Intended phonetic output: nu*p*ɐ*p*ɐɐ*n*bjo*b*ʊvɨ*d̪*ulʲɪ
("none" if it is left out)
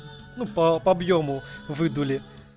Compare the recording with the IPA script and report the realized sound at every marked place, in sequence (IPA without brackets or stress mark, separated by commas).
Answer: p, p, none, m, d̪